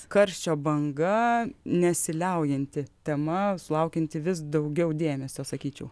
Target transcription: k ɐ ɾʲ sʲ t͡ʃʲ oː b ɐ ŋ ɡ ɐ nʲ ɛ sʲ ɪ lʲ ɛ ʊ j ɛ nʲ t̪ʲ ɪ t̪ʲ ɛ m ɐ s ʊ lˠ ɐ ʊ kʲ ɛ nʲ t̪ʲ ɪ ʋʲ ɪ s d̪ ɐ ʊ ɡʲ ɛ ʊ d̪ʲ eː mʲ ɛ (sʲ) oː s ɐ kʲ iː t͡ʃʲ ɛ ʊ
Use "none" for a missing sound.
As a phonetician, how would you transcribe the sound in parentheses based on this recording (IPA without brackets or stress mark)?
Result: sʲ